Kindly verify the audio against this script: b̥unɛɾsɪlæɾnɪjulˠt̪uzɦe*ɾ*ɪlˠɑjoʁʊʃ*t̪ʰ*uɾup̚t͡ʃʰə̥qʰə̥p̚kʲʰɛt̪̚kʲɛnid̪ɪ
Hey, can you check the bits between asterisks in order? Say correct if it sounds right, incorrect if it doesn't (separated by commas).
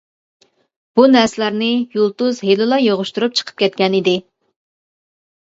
incorrect, incorrect